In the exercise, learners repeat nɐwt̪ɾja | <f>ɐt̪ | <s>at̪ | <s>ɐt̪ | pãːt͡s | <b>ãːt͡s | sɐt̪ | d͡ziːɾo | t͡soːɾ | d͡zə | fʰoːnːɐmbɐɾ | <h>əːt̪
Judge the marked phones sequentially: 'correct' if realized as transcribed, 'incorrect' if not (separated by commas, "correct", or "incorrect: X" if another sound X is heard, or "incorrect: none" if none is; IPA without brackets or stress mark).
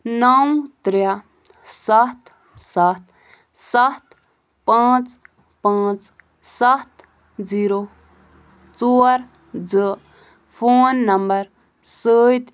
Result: incorrect: s, correct, correct, incorrect: p, incorrect: s